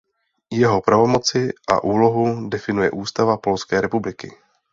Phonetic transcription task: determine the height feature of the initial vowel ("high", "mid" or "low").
mid